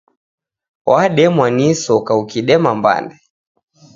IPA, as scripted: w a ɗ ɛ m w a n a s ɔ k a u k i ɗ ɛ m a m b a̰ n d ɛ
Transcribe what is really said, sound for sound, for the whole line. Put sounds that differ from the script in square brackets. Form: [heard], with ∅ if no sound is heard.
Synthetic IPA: w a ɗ ɛ m w a n [i] s ɔ k a u k i ɗ ɛ m a m b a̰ n d ɛ